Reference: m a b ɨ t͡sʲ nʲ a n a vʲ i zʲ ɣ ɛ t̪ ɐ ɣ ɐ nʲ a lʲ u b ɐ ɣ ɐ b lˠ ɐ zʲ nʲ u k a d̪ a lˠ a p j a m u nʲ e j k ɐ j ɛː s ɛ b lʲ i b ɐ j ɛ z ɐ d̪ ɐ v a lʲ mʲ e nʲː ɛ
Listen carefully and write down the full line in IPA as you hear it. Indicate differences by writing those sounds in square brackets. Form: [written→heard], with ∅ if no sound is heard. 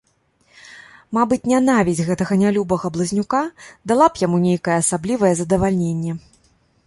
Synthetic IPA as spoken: m a b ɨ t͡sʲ nʲ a n a vʲ i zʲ ɣ ɛ t̪ ɐ ɣ ɐ nʲ a lʲ u b ɐ ɣ ɐ b lˠ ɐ zʲ nʲ u k a d̪ a lˠ a p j a m u nʲ e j k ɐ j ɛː s [ɛ→a] b lʲ i [b→v] ɐ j ɛ z ɐ d̪ ɐ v a lʲ [mʲ→nʲ] e nʲː ɛ